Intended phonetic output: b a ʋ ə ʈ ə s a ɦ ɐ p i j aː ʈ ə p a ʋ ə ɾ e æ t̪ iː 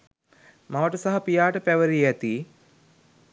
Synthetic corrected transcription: m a ʋ ə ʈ ə s a ɦ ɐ p i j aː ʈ ə p æ ʋ ə ɾ i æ t̪ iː